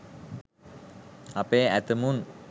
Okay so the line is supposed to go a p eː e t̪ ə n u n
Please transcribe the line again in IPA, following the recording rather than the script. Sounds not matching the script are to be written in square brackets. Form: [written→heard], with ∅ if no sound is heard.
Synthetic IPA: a p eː [e→æ] t̪ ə [n→m] u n